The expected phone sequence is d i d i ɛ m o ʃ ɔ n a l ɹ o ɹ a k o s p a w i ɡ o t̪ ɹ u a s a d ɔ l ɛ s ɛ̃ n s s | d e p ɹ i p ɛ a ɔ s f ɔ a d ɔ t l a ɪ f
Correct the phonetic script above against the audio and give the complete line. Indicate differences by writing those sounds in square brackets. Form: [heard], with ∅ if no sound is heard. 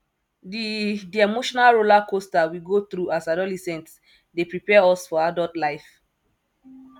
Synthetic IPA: d i d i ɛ m o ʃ ɔ n a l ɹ o [l] a k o s [t] a w i ɡ o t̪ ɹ u a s a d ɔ l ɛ s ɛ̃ n [t] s | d e p ɹ i p ɛ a ɔ s f ɔ a d ɔ t l a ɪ f